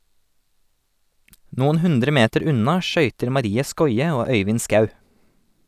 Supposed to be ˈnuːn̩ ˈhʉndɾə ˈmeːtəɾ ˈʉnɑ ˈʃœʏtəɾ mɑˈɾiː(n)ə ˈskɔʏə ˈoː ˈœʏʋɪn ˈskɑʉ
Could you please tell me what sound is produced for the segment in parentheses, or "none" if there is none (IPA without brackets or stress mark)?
none